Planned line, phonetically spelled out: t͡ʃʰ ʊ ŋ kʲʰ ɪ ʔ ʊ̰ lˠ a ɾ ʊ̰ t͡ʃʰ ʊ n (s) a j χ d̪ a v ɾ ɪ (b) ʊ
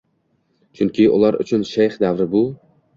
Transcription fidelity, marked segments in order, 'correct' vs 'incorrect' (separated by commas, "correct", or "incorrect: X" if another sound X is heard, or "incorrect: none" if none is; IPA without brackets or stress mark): incorrect: ʃ, correct